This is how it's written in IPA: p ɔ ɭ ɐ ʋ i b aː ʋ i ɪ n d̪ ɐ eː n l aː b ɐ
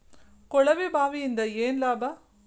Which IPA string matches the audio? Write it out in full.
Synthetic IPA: k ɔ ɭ ɐ ʋ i b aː ʋ i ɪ n d̪ ɐ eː n l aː b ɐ